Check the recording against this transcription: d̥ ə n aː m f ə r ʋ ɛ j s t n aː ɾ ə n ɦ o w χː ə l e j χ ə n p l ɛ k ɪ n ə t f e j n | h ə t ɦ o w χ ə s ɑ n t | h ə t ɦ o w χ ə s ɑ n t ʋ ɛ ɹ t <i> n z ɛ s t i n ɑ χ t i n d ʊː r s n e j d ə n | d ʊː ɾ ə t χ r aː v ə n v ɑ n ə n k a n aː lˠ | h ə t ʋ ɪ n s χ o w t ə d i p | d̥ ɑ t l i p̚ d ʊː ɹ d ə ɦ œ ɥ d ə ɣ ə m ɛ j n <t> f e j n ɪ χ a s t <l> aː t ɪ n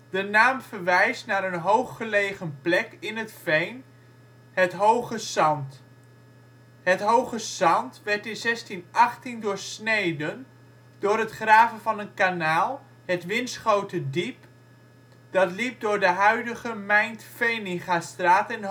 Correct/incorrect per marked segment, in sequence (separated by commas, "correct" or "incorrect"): incorrect, correct, incorrect